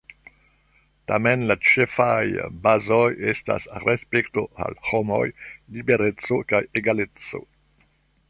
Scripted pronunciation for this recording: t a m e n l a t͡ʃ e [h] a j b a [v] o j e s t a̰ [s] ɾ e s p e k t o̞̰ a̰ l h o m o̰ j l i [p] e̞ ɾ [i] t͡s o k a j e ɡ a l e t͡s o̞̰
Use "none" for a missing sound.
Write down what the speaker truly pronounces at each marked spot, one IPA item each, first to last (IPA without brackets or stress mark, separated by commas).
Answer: f, z, s, b, e